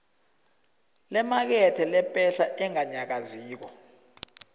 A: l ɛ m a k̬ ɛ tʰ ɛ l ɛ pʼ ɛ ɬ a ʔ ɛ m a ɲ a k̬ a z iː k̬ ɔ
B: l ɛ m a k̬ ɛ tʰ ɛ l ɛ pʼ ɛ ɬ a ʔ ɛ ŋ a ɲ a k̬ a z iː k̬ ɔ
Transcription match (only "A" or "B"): B